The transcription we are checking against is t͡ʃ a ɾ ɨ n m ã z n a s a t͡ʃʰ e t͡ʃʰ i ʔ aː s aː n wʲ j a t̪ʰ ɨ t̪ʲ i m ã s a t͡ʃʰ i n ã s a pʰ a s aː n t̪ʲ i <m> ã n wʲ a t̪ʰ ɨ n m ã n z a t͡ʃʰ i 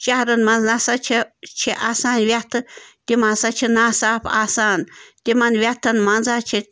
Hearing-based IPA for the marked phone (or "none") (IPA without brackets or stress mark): m